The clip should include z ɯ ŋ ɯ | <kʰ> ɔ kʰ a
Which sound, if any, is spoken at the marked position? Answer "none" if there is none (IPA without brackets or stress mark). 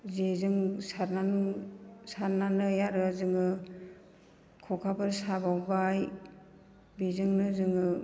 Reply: kʰ